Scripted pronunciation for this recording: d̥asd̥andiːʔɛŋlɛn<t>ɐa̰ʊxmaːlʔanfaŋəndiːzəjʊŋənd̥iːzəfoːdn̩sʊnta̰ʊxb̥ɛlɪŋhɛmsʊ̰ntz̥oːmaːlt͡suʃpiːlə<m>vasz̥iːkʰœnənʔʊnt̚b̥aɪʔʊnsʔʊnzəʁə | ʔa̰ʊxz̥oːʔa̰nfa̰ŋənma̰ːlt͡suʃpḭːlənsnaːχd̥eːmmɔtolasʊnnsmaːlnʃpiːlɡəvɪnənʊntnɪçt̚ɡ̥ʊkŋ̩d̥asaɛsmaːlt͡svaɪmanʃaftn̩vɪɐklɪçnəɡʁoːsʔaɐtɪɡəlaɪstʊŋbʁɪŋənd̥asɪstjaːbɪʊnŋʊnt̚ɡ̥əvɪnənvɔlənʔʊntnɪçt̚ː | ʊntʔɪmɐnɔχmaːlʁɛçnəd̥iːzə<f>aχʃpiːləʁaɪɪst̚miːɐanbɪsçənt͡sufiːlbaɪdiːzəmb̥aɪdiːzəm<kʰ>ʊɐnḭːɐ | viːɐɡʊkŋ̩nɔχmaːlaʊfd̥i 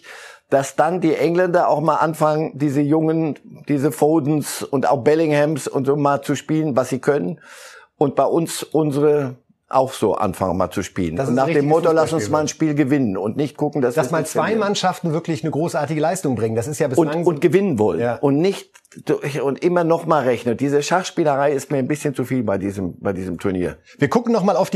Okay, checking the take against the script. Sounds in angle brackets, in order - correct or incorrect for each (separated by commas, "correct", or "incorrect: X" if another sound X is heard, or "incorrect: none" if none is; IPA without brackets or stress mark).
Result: incorrect: d, incorrect: n, incorrect: ʃ, incorrect: tʰ